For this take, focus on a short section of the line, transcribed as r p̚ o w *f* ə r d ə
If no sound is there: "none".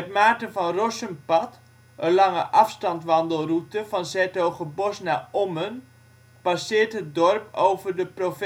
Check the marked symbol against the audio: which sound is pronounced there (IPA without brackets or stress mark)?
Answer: v